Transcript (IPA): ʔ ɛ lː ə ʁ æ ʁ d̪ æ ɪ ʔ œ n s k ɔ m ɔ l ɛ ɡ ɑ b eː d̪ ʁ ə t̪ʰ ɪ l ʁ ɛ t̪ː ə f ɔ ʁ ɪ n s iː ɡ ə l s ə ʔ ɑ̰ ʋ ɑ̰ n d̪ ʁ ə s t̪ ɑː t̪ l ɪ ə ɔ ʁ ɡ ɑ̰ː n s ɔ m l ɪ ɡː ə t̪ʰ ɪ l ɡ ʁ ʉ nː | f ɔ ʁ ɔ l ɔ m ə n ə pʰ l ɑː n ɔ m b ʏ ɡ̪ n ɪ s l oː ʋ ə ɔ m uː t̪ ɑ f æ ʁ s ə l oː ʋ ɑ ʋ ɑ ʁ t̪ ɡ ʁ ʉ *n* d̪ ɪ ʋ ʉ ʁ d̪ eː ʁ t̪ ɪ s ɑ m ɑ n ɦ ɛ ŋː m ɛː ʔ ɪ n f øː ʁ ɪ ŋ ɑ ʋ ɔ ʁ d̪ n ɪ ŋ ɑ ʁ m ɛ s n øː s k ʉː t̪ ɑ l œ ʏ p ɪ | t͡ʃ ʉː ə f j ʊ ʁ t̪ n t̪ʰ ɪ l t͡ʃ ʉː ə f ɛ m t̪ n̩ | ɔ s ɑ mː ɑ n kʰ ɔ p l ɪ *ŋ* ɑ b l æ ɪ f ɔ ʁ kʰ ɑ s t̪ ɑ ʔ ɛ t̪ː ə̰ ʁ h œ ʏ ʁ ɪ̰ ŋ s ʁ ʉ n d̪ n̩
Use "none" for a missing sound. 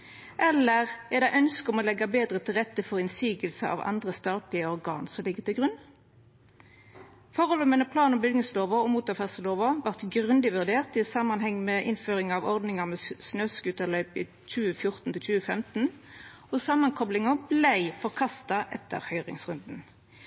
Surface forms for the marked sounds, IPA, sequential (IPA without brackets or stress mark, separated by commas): n, ŋ